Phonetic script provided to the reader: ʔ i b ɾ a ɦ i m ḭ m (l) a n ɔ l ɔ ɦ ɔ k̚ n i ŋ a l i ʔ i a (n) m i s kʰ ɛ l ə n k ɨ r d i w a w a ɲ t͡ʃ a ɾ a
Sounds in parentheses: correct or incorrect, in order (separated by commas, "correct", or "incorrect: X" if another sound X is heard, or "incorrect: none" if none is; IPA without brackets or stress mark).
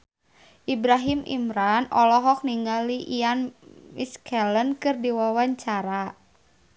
incorrect: ɾ, correct